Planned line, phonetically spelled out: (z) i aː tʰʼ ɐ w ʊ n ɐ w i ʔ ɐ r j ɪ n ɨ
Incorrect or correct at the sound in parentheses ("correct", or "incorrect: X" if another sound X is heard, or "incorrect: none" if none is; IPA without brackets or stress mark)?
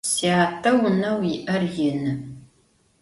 incorrect: s